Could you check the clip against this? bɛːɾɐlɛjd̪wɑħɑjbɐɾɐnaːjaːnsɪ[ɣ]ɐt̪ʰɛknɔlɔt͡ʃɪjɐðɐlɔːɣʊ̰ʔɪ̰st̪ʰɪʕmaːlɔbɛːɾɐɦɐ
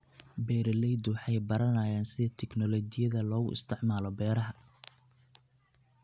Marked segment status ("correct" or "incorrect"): incorrect